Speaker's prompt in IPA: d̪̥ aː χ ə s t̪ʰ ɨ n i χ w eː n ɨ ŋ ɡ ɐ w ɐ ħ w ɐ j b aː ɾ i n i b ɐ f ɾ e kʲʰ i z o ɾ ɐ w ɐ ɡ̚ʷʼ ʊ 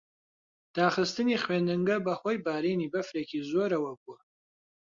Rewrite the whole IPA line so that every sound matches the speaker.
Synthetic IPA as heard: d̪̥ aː χ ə s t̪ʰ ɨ n i χ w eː n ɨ ŋ ɡ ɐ b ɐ χ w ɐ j b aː ɾ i n i b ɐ f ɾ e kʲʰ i z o ɾ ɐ w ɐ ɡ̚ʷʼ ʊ